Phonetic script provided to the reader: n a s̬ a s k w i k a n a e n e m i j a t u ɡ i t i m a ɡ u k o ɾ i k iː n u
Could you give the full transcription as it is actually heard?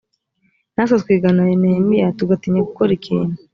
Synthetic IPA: n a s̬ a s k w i ɡ a n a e n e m i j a t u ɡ a t i ɲ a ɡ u k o ɾ i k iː n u